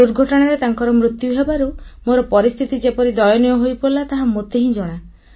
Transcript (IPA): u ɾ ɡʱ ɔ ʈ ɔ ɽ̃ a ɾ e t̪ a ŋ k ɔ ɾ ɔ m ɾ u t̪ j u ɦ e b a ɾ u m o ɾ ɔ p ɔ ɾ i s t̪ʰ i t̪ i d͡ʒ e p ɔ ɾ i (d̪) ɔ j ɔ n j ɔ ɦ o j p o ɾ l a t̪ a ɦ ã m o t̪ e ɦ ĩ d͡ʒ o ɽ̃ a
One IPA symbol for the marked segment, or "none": d̪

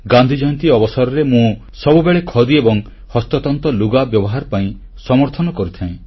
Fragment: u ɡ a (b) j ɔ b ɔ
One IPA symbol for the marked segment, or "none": b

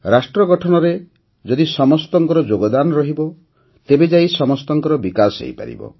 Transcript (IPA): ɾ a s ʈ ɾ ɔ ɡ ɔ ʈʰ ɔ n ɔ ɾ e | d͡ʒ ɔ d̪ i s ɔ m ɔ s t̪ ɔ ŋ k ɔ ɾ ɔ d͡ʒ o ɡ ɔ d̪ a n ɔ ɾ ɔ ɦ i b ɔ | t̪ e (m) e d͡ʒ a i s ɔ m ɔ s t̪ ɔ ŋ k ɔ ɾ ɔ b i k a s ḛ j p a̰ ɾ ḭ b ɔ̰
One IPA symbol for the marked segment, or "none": b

